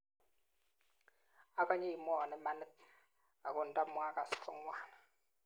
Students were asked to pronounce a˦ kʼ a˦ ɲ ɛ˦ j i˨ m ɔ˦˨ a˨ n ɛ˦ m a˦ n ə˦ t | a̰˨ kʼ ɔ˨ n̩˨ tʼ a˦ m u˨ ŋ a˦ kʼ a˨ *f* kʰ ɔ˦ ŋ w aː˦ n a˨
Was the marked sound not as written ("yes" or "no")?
yes